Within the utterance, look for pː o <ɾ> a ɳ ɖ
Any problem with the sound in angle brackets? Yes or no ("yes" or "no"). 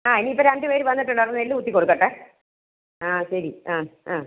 no